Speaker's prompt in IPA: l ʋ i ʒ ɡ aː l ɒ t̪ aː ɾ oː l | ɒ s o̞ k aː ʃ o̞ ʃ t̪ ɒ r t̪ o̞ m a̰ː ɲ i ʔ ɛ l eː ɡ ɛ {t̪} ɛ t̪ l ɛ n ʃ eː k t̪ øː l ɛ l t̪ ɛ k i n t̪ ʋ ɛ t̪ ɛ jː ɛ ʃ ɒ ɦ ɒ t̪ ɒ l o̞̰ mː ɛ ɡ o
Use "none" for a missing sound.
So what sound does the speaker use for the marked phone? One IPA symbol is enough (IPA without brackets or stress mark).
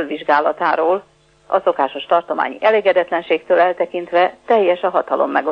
d̪